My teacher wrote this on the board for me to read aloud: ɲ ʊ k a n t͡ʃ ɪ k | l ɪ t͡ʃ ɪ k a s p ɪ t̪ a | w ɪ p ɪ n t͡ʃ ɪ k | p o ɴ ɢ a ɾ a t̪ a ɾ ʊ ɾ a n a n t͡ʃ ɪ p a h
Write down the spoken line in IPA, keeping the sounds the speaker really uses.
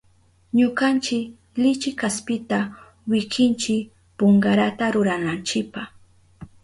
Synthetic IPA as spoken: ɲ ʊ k a n t͡ʃ ɪ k | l ɪ t͡ʃ ɪ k a s p ɪ t̪ a | w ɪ k ɪ n t͡ʃ ɪ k | p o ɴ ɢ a ɾ a t̪ a ɾ ʊ ɾ a n a n t͡ʃ ɪ p a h